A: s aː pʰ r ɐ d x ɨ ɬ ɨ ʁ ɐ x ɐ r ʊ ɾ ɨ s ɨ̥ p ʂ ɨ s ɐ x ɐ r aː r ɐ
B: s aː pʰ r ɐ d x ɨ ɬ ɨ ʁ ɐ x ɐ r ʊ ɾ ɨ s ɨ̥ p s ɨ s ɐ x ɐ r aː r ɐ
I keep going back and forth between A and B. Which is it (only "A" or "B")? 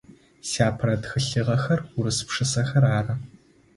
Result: A